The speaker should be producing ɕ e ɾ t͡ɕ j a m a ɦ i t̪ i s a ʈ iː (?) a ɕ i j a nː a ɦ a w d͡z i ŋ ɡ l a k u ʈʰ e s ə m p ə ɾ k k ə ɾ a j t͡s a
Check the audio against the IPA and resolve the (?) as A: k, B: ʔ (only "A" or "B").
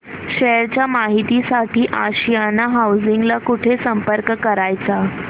B